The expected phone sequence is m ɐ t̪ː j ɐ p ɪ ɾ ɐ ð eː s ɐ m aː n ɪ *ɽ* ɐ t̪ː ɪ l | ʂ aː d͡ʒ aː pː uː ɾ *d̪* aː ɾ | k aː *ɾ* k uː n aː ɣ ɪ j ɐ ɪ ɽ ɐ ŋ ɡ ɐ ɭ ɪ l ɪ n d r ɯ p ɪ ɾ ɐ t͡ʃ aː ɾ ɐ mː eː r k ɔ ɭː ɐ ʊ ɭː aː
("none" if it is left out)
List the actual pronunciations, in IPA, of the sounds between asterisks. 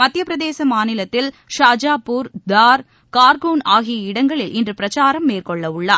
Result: l, d̪, ɾ

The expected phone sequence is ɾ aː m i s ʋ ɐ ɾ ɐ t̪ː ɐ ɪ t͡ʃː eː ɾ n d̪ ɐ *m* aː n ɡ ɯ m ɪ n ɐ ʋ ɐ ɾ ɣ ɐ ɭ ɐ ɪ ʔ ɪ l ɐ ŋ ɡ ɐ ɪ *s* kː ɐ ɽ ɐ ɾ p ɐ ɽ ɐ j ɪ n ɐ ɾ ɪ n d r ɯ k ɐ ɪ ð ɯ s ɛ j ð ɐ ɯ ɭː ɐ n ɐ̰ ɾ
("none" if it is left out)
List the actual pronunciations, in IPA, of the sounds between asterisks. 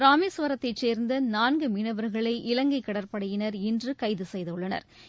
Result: n, none

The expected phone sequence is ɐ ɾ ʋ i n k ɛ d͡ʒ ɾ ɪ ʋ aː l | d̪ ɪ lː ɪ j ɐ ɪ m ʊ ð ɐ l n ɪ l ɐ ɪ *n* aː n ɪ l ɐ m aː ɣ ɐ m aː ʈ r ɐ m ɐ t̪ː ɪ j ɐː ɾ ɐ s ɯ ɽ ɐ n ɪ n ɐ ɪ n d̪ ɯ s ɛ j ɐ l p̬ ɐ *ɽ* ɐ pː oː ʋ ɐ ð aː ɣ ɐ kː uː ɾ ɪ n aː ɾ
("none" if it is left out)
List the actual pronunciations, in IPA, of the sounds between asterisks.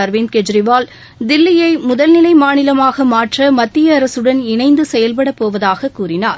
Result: m, ɽ

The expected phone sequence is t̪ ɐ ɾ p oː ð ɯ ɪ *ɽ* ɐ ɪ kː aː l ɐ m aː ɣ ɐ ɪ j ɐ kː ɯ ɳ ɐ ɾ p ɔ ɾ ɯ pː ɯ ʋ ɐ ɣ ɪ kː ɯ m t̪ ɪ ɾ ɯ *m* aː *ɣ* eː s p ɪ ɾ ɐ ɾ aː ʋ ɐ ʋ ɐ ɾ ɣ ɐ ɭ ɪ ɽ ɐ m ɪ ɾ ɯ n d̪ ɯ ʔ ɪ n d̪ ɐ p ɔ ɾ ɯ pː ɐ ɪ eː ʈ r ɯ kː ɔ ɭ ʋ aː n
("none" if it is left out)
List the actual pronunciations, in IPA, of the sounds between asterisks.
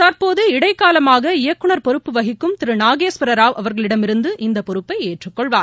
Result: ɽ, n, ɣ

